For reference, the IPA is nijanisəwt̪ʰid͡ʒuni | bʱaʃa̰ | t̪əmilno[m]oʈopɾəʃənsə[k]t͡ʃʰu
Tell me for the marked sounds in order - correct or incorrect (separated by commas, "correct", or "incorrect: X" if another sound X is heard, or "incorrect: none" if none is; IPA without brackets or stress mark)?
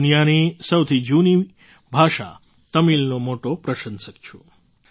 correct, correct